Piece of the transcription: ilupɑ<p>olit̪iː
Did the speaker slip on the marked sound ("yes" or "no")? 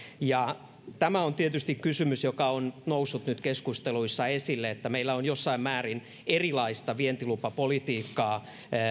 no